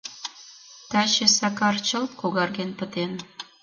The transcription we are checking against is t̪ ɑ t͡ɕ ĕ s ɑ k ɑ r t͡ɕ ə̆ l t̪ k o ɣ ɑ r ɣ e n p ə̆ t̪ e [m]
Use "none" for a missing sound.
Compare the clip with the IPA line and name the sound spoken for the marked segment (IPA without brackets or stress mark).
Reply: n